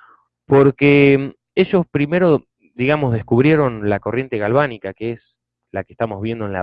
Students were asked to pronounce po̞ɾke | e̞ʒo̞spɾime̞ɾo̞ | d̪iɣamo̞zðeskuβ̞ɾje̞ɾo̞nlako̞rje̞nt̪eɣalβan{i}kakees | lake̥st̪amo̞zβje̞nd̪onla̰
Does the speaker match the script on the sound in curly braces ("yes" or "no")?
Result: yes